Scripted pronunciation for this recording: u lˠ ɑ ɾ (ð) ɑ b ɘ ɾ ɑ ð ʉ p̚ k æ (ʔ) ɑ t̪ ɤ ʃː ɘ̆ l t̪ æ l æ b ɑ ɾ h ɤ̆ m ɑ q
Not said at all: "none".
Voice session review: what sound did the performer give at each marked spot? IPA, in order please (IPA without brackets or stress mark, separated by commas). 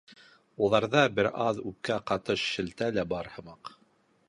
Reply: ð, q